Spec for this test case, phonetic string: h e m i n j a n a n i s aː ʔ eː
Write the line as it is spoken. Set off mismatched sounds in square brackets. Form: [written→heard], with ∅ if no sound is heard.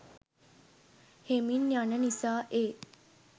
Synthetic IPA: h e m i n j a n [a→ə] n i s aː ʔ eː

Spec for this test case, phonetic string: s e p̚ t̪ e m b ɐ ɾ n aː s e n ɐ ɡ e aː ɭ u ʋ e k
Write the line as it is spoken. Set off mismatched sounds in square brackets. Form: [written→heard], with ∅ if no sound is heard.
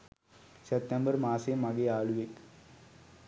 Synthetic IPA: s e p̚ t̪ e m b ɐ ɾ [n→m] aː s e [n→m] ɐ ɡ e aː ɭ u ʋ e k

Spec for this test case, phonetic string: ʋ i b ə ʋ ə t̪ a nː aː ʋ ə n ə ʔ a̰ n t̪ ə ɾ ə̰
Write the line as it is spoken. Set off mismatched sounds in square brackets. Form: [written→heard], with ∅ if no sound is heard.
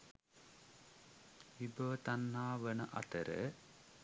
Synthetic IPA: ʋ i b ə ʋ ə t̪ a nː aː ʋ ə n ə ʔ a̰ [n→∅] t̪ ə ɾ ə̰

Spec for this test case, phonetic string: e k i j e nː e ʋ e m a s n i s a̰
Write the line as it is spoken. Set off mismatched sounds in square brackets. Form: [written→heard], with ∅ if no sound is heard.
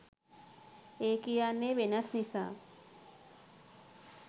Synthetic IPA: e k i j [e→a] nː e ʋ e [m→n] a s n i s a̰

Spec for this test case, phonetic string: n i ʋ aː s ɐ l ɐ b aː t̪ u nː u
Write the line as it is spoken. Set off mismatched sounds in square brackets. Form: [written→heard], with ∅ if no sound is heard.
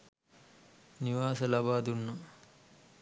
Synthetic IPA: n i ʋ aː s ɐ l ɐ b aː [t̪→d̪] u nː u

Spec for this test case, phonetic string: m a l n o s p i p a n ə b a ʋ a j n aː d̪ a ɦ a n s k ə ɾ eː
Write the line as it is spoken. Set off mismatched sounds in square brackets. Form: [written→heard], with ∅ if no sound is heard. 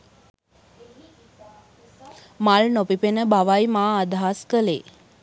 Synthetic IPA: m a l n o [s→∅] p i p [a→e] n ə b a ʋ a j [n→m] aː d̪ a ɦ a [n→∅] s k ə [ɾ→l] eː

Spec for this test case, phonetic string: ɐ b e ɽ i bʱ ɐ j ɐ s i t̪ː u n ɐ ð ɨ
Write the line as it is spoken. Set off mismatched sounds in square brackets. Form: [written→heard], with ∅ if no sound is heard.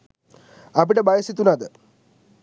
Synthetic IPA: ɐ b [e→i] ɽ [i→e] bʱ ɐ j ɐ s i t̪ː u n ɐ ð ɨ

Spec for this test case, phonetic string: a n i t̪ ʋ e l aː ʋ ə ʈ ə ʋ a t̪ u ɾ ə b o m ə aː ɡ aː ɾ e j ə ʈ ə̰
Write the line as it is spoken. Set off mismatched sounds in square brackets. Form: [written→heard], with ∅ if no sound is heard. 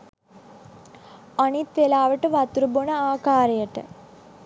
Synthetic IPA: a n i t̪ ʋ e l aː ʋ ə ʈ ə ʋ a t̪ u ɾ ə b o [m→n] ə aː [ɡ→k] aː ɾ e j ə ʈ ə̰

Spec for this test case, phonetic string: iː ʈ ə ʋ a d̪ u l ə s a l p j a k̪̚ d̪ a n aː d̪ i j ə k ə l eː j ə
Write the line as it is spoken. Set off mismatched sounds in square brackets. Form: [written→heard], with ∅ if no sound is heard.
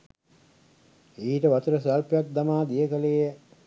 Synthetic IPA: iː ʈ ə ʋ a [d̪→t̪] u [l→ɾ] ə s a l p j a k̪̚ d̪ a [n→m] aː d̪ i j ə k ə l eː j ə

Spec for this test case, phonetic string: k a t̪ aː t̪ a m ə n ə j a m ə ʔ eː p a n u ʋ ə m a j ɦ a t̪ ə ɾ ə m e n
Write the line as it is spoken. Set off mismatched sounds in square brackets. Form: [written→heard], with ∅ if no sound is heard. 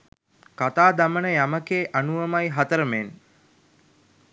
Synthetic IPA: k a t̪ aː [t̪→d̪] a m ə n ə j a m ə [ʔ→k] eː [p→ʔ] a n u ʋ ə m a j ɦ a t̪ ə ɾ ə m e n

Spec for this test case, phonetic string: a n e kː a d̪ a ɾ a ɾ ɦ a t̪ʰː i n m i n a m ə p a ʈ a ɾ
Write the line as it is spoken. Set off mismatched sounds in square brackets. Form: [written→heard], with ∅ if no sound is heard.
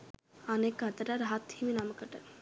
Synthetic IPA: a n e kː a [d̪→t̪] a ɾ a ɾ ɦ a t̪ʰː i [n→∅] m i n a m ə [p→k] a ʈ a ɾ

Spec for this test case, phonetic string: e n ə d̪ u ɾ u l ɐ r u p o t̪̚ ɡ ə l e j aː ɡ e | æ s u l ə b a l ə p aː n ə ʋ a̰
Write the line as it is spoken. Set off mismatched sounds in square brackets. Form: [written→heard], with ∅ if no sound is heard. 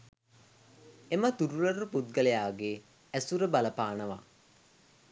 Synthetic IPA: e [n→m] ə [d̪→t̪] u ɾ u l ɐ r u p [o→u] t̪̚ ɡ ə l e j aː ɡ e | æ s u [l→ɾ] ə b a l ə p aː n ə ʋ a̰

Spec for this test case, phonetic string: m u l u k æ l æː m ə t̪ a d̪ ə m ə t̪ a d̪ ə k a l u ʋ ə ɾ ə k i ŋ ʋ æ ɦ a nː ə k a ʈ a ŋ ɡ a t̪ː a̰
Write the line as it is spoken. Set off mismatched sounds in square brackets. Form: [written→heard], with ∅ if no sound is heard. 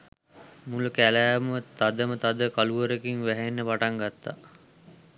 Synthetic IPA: m u l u k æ l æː m ə t̪ a d̪ ə m ə t̪ a d̪ ə k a l u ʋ ə ɾ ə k i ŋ ʋ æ ɦ [a→e] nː ə [k→p] a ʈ a ŋ ɡ a t̪ː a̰

